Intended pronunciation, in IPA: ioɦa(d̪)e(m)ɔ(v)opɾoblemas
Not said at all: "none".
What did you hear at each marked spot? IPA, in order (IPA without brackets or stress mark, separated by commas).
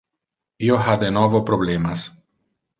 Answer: d̪, n, v